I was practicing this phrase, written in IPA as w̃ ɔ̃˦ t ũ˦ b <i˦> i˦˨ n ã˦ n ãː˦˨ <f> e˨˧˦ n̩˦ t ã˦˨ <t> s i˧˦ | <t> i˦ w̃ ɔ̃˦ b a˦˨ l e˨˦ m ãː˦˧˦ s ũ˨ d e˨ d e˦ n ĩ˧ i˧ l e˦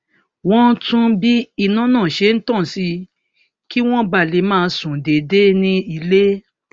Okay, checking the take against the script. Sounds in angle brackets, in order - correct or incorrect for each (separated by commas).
correct, incorrect, incorrect, incorrect